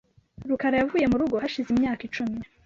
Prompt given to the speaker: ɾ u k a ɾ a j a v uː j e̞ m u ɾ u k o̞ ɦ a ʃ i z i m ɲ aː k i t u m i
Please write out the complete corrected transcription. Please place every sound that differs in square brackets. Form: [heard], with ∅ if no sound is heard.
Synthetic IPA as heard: ɾ u k a ɾ a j a v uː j e̞ m u ɾ u [ɡ] o̞ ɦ a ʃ i z i m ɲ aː k i [t͡ʃ] u m i